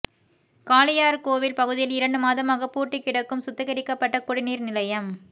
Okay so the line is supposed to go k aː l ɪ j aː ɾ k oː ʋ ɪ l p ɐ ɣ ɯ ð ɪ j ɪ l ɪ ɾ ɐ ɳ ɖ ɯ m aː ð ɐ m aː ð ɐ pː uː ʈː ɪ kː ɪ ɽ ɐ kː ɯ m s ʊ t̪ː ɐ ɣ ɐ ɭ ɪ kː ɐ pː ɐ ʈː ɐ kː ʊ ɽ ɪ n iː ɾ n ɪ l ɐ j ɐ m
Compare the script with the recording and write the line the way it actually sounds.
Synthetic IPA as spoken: k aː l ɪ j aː ɾ k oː ʋ ɪ l p ɐ ɣ ɯ ð ɪ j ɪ l ɪ ɾ ɐ ɳ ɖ ɯ m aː ð ɐ m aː ɣ ɐ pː uː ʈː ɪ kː ɪ ɽ ɐ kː ɯ m s ʊ t̪ː ɐ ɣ ɐ ɾ ɪ kː ɐ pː ɐ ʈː ɐ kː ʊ ɽ ɪ n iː ɾ n ɪ l ɐ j ɐ m